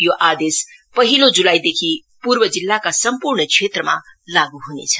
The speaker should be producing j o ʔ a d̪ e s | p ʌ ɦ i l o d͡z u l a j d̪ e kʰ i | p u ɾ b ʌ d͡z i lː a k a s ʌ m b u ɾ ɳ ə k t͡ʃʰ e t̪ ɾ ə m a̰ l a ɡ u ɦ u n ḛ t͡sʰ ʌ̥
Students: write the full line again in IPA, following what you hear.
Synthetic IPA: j o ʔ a d̪ e s | p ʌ ɦ i l o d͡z u l a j d̪ e kʰ i | p u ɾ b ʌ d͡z i lː a k a s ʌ m p u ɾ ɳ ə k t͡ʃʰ e t̪ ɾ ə m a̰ l a ɡ u ɦ u n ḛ t͡sʰ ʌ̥